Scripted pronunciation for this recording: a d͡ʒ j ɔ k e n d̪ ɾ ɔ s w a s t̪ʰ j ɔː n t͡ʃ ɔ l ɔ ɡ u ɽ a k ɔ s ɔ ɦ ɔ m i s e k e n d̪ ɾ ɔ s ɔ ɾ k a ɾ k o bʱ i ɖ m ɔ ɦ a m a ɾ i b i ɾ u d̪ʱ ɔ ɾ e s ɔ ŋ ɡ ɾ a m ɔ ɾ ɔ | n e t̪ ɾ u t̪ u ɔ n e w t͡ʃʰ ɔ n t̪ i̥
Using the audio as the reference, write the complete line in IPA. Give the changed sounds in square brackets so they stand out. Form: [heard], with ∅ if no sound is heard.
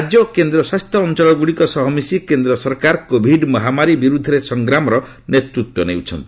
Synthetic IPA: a d͡ʒ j ɔ k e n d̪ ɾ ɔ s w a s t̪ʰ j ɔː n t͡ʃ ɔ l ɔ ɡ u ɽ [i] k ɔ s ɔ ɦ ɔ m i s [i] k e n d̪ ɾ ɔ s ɔ ɾ k a ɾ k o bʱ i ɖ m ɔ ɦ a m a ɾ i b i ɾ u d̪ʱ ɔ ɾ e s ɔ ŋ ɡ ɾ a m ɔ ɾ ɔ | n e t̪ ɾ u t̪ [w] ɔ n e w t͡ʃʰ ɔ n t̪ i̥